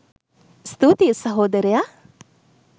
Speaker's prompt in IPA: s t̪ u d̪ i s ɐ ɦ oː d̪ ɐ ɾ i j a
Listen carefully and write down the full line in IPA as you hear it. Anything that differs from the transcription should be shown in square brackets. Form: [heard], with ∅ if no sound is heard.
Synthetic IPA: s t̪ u [t̪] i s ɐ ɦ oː d̪ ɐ ɾ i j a